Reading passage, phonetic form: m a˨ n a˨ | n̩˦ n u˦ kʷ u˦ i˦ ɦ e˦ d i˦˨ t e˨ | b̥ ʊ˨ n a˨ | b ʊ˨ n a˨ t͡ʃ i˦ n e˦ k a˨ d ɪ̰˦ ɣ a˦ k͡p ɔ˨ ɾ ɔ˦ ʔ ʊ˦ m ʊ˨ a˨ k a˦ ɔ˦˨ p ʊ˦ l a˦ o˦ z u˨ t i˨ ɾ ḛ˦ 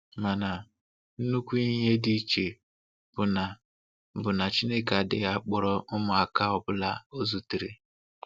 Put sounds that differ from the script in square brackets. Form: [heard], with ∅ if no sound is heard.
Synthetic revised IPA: m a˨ n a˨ | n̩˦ n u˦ kʷ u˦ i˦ ɦ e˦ d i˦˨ [t͡ʃ] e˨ | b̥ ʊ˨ n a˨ | b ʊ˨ n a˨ t͡ʃ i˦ n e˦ k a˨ d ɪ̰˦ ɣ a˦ k͡p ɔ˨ ɾ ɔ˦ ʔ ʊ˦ m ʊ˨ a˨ k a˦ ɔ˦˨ [b] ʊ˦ l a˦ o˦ z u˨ t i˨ ɾ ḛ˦